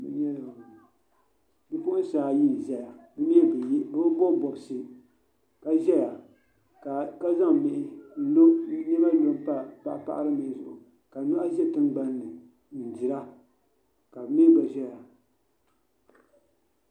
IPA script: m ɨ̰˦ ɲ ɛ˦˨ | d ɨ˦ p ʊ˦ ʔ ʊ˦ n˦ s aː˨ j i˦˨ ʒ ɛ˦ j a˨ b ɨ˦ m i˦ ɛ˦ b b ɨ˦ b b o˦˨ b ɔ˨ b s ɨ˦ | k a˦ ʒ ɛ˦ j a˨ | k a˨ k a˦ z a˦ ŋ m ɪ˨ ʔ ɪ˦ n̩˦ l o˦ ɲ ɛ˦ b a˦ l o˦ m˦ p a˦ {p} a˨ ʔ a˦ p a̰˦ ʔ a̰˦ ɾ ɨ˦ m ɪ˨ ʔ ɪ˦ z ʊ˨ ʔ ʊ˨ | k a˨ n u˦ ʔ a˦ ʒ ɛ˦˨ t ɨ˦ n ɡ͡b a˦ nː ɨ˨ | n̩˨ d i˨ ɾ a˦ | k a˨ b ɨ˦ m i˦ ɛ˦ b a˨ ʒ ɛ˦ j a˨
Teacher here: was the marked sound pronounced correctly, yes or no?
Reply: yes